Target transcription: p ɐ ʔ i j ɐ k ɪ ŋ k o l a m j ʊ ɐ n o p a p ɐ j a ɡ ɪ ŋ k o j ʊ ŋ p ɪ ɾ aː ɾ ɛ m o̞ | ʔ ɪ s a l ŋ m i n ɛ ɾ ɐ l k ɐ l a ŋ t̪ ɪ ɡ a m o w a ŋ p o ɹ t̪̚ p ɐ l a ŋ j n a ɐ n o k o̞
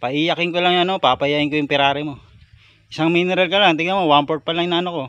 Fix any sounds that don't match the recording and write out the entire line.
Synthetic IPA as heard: p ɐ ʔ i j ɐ k ɪ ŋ k o l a ŋ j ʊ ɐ n o p a p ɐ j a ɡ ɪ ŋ k o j ʊ ŋ p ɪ ɾ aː ɾ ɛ m o̞ | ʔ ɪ s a ŋ m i n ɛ ɾ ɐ l k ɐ l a ŋ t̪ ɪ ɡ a m o w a m p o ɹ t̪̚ p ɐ l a ŋ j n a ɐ n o k o̞